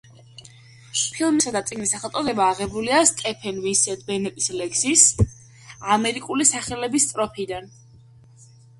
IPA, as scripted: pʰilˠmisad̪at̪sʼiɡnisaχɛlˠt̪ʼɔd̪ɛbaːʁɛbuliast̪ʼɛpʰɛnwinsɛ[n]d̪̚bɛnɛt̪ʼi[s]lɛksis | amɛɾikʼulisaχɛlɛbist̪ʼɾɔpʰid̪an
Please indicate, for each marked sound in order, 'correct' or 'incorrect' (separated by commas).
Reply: incorrect, correct